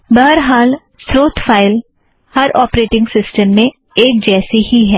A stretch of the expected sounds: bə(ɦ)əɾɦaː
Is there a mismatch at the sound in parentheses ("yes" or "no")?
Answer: no